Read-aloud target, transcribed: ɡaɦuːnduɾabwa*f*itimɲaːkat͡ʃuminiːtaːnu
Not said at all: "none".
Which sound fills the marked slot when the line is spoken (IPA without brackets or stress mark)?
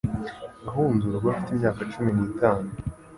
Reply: f